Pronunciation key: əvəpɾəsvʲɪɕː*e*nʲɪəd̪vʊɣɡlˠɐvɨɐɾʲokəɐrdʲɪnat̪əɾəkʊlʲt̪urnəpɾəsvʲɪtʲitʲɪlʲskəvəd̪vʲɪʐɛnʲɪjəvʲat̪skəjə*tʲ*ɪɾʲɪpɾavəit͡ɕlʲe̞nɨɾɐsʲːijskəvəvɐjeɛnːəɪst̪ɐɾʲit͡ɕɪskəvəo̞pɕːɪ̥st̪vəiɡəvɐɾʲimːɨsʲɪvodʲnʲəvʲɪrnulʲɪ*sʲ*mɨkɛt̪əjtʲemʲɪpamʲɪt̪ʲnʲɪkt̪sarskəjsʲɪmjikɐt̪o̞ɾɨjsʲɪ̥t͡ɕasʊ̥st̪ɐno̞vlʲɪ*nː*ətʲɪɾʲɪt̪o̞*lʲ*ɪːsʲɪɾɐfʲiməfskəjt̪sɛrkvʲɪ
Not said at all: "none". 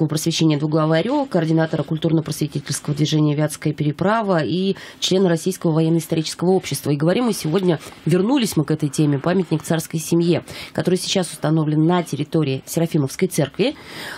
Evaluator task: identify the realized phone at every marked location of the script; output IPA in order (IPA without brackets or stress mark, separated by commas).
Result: e, pʲ, sʲ, nː, ɾʲ